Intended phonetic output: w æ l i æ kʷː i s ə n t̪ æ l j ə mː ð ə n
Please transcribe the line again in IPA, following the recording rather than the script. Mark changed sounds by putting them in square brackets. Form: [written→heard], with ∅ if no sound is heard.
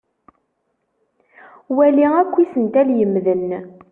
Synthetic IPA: w æ l i æ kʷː i s ə n t̪ æ l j ə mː ð ə n